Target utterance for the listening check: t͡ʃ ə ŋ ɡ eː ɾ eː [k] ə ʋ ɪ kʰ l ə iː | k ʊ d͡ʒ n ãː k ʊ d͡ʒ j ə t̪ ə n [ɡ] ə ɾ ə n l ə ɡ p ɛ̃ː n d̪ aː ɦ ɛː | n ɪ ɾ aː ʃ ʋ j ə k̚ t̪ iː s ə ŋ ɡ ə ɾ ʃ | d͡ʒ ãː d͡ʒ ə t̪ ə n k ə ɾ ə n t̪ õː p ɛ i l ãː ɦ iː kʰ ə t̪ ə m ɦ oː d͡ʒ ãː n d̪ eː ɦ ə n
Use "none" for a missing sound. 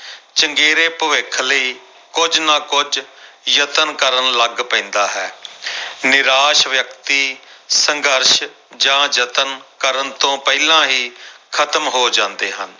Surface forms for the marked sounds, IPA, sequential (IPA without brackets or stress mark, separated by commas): p, k